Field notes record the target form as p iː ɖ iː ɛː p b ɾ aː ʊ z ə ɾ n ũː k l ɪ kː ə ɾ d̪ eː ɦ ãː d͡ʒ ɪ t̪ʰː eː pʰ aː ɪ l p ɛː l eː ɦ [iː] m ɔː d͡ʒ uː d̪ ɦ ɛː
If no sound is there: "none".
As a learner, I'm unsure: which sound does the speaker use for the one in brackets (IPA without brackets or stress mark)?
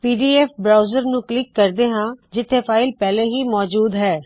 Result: iː